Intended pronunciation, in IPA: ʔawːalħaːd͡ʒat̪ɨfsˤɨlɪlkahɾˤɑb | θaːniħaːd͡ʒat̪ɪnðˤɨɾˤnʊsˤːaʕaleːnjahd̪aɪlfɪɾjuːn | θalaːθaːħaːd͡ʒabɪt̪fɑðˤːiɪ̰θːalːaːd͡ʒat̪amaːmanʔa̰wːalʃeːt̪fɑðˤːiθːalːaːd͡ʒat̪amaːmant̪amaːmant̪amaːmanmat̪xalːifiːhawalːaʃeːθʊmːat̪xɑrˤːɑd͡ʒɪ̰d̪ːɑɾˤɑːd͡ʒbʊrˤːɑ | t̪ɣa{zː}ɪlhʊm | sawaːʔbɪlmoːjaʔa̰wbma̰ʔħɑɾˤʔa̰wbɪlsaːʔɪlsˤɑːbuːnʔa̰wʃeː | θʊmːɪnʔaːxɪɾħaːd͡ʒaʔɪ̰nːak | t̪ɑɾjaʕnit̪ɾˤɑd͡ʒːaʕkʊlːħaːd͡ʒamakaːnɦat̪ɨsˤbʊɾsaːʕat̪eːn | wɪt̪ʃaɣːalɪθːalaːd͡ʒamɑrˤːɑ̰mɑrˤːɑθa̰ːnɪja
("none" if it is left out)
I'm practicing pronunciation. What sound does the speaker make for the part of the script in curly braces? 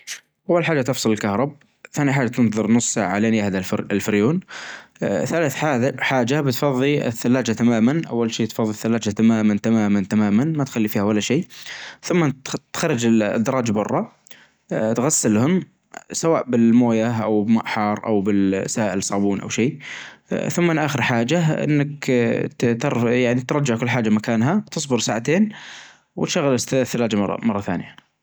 sː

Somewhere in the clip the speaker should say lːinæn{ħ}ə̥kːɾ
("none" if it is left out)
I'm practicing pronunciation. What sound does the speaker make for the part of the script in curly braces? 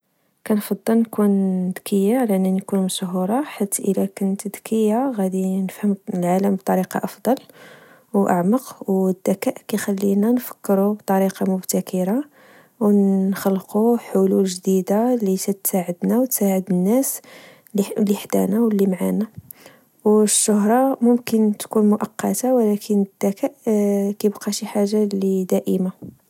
f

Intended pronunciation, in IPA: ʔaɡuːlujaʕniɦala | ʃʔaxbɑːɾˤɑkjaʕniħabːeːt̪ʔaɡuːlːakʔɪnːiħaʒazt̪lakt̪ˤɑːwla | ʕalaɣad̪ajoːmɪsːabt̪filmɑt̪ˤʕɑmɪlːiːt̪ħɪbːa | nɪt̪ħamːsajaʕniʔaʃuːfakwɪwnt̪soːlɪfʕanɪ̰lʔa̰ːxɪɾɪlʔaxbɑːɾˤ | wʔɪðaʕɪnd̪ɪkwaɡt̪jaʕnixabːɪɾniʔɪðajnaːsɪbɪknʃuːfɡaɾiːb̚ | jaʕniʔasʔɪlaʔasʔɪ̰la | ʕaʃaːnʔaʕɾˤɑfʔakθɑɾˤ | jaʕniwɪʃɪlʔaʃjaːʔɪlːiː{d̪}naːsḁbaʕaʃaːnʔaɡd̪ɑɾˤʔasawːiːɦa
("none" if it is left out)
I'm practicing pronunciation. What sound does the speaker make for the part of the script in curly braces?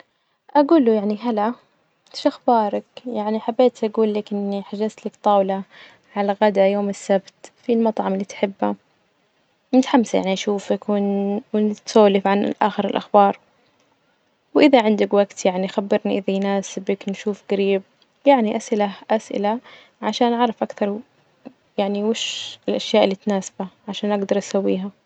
t̪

